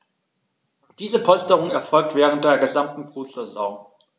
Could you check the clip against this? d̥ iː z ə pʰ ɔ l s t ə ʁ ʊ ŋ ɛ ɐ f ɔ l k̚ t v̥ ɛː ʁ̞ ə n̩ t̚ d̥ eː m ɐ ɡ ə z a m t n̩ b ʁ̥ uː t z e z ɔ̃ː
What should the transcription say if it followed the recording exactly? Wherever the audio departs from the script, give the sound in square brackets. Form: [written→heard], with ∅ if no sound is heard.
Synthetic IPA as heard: d̥ iː z ə pʰ ɔ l s t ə ʁ ʊ ŋ ɛ ɐ f ɔ l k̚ t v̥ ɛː ʁ̞ ə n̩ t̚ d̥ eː [m→∅] ɐ ɡ ə z a m t n̩ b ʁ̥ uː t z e z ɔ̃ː

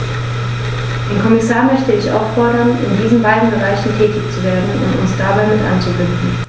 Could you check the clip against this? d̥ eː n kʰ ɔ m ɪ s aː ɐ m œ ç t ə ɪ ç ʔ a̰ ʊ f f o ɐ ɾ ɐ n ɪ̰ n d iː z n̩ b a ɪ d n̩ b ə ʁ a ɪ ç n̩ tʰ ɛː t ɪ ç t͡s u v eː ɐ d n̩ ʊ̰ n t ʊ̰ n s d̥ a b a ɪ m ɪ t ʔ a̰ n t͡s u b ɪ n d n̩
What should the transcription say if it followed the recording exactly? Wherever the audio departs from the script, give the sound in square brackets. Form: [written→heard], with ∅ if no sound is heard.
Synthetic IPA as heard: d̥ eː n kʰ ɔ m ɪ s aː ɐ m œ ç t ə ɪ ç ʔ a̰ ʊ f f [o→ɔ] ɐ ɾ ɐ n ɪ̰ n d iː z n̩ b a ɪ d n̩ b ə ʁ a ɪ ç n̩ tʰ ɛː t ɪ ç t͡s u v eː ɐ d n̩ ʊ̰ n t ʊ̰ n s d̥ a b a ɪ m ɪ t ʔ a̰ n t͡s u b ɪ n d n̩

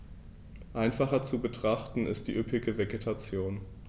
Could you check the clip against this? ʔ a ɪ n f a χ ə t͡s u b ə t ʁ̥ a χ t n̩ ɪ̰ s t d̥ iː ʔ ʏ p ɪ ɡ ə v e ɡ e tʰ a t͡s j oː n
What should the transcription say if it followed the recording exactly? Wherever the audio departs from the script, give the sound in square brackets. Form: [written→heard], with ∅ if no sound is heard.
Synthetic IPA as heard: ʔ a ɪ n f a χ [ə→ɐ] t͡s u b ə t ʁ̥ a χ t n̩ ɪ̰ s t d̥ iː ʔ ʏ p ɪ ɡ ə v e ɡ e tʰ a t͡s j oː n

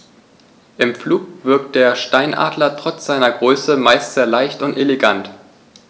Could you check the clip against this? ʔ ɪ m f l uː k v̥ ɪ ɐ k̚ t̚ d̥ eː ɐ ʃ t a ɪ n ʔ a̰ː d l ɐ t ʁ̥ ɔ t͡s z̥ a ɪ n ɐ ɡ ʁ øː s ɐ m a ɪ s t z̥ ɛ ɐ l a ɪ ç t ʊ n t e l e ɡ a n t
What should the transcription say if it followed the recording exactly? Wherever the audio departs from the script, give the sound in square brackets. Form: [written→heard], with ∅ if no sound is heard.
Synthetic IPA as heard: ʔ ɪ m f l uː k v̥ ɪ ɐ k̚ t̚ d̥ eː ɐ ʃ t a ɪ n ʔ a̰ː d l ɐ t ʁ̥ ɔ t͡s z̥ a ɪ n ɐ ɡ ʁ øː s [ɐ→ə] m a ɪ s t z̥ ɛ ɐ l a ɪ ç t ʊ n t e l e ɡ a n t

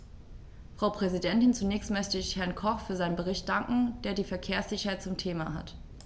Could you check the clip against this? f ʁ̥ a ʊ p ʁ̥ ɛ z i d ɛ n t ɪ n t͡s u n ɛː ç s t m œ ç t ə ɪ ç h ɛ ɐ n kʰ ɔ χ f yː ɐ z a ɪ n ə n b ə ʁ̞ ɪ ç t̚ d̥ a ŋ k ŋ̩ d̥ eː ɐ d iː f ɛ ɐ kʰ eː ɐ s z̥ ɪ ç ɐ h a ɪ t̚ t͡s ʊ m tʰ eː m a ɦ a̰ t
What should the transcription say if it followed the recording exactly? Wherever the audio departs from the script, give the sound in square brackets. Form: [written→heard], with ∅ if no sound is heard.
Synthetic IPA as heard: f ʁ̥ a ʊ p ʁ̥ ɛ z i d ɛ n t ɪ n t͡s u n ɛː ç s t m œ ç t ə ɪ ç h ɛ ɐ n kʰ ɔ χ f yː ɐ z a ɪ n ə n b ə ʁ̞ ɪ ç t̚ d̥ a ŋ k ŋ̩ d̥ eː ɐ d iː f ɛ ɐ kʰ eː ɐ s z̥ ɪ ç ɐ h a ɪ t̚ t͡s ʊ m tʰ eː m a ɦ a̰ t

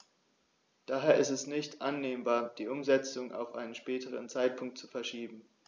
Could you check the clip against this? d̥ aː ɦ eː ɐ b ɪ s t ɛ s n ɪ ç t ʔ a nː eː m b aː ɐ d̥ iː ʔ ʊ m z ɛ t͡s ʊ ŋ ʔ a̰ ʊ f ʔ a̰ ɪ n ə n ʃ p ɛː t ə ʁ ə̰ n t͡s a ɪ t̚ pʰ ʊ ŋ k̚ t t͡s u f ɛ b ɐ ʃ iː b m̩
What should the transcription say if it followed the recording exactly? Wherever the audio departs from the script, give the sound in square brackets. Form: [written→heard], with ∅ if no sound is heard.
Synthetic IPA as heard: d̥ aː ɦ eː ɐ [b→∅] ɪ s t ɛ s n ɪ ç t ʔ a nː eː m b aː ɐ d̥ iː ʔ ʊ m z ɛ t͡s ʊ ŋ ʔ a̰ ʊ f ʔ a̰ ɪ n ə n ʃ p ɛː t ə ʁ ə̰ n t͡s a ɪ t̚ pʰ ʊ ŋ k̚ t t͡s u f ɛ [b→∅] ɐ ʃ iː b m̩

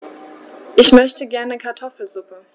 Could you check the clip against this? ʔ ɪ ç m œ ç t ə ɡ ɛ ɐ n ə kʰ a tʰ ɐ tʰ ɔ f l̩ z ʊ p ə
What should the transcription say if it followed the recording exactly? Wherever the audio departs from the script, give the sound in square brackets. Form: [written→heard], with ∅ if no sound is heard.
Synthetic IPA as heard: ʔ ɪ ç m œ ç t ə ɡ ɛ ɐ n ə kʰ a [tʰ→∅] ɐ tʰ ɔ f l̩ z ʊ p ə

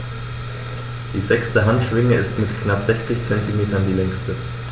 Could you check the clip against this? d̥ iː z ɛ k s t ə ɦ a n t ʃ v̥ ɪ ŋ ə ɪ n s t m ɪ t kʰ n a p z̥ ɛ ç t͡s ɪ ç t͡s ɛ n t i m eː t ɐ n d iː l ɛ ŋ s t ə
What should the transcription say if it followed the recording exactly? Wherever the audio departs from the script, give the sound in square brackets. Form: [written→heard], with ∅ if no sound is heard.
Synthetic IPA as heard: d̥ iː z ɛ k s t ə ɦ a n t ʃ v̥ ɪ ŋ ə ɪ [n→∅] s t m ɪ t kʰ n a p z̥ ɛ ç t͡s ɪ ç t͡s ɛ n t i m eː t ɐ n d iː l ɛ ŋ s t ə

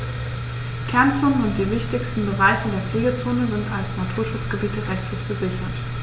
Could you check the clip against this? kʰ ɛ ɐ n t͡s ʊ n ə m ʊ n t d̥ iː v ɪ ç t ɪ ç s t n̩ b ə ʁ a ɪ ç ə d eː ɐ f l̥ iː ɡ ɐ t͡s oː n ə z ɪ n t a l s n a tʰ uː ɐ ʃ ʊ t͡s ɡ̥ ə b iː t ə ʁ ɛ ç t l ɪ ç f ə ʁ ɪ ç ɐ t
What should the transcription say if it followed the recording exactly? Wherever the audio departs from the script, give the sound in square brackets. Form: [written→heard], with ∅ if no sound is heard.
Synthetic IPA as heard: kʰ ɛ ɐ n t͡s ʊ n ə [m→n] ʊ n t d̥ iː v ɪ ç t ɪ ç s t n̩ b ə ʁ a ɪ ç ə d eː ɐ f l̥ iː ɡ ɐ t͡s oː n ə z ɪ n t a l s n a tʰ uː ɐ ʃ ʊ t͡s ɡ̥ ə b iː t ə ʁ ɛ ç t l ɪ ç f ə [ʁ→z] ɪ ç ɐ t

